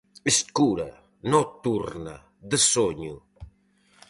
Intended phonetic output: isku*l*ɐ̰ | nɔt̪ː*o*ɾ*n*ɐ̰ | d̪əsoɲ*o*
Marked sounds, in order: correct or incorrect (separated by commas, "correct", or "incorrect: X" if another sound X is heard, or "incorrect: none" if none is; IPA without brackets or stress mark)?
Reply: incorrect: ɾ, incorrect: u, correct, incorrect: u